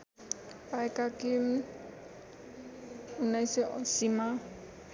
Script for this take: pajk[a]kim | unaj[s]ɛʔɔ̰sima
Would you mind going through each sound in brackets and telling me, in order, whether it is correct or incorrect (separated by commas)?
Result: correct, correct